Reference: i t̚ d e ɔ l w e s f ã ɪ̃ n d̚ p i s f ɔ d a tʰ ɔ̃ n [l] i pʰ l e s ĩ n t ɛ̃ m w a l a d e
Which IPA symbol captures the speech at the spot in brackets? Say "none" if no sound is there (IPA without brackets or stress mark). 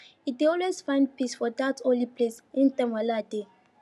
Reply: l